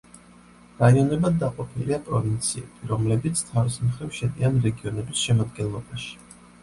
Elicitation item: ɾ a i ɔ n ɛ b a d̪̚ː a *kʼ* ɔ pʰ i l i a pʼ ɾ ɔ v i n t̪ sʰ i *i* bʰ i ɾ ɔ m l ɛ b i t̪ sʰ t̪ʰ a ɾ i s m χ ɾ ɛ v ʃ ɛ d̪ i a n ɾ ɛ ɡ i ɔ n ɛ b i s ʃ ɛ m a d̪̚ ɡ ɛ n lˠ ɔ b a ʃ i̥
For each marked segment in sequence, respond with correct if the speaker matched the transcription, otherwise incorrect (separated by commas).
incorrect, incorrect